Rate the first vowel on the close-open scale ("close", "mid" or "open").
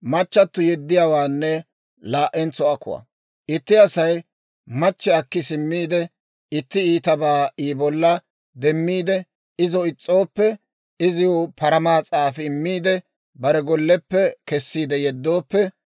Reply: open